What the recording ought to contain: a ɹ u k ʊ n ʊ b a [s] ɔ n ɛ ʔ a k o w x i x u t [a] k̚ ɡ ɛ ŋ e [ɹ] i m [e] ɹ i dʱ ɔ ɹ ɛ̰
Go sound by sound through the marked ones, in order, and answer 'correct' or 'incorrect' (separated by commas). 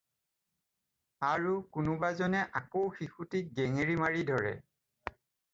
incorrect, incorrect, correct, incorrect